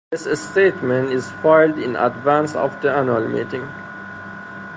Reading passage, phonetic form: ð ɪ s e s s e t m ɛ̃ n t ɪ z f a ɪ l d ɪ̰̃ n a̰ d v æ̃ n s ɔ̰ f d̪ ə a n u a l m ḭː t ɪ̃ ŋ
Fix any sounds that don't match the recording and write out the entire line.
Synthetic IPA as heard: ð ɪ s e s t e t m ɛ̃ n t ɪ z f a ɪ l d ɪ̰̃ n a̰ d v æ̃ n s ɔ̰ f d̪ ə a n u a l m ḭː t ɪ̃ ŋ

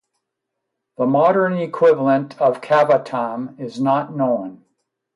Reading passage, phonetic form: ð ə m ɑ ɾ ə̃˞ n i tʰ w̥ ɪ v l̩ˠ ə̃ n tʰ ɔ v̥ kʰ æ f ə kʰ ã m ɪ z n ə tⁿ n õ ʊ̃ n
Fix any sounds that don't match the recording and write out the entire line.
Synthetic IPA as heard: ð ə m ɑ ɾ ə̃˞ n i kʰ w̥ ɪ v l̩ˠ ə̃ n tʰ ʌ v̥ kʰ æ v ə tʰ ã m ɪ z n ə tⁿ n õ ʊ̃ n

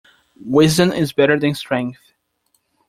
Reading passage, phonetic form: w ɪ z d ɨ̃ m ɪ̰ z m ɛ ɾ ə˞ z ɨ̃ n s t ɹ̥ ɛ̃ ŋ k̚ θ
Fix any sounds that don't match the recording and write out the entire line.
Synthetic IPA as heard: w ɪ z d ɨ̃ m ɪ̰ z b ɛ ɾ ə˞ ð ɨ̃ n s t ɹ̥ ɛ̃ ŋ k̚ θ

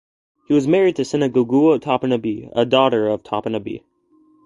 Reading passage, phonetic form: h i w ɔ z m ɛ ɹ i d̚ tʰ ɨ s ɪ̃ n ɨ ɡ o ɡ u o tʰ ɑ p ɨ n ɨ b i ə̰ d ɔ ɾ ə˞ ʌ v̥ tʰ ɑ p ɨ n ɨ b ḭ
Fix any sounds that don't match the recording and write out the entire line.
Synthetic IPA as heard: h i w ʌ z m ɛ ɹ i d̚ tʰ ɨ s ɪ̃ n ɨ ɡ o ɡ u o tʰ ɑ p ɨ n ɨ b i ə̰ d ɔ ɾ ə˞ ʌ v̥ tʰ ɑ p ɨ n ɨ b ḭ

